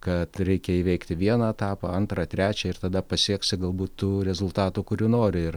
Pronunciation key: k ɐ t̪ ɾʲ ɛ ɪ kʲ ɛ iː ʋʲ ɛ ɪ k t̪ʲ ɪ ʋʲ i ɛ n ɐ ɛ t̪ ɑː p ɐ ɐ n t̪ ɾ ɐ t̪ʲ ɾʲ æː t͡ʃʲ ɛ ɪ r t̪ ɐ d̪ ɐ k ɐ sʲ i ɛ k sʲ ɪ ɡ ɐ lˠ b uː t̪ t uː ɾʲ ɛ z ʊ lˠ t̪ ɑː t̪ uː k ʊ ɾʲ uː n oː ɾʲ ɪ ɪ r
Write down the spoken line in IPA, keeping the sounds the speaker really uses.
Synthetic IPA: k ɐ t̪ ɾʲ ɛ ɪ kʲ ɛ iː ʋʲ ɛ ɪ k t̪ʲ ɪ ʋʲ i ɛ n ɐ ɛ t̪ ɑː p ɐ ɐ n t̪ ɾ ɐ t̪ʲ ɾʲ æː t͡ʃʲ ɛ ɪ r t̪ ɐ d̪ ɐ p ɐ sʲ i ɛ k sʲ ɪ ɡ ɐ lˠ b uː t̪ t uː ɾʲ ɛ z ʊ lˠ t̪ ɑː t̪ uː k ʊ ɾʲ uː n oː ɾʲ ɪ ɪ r

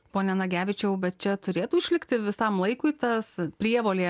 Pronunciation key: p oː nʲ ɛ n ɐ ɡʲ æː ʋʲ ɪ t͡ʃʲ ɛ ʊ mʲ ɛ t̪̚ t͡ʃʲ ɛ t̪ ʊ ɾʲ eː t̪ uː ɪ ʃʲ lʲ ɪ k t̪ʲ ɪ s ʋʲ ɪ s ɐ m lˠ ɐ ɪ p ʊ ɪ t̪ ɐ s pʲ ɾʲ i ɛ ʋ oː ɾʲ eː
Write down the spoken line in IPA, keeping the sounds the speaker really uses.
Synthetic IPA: p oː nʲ ɛ n ɐ ɡʲ æː ʋʲ ɪ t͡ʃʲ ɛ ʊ bʲ ɛ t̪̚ t͡ʃʲ ɛ t̪ ʊ ɾʲ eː t̪ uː ɪ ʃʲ lʲ ɪ k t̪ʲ ɪ ʋʲ ɪ s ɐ m lˠ ɐ ɪ k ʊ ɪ t̪ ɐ s pʲ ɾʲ i ɛ ʋ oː lʲ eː

